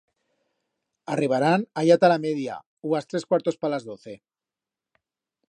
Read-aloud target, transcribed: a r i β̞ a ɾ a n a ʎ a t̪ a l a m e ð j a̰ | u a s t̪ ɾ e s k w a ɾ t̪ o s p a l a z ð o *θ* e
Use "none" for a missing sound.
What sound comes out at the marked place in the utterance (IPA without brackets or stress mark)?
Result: θ